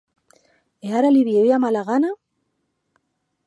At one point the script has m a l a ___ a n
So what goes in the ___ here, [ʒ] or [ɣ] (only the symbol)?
ɣ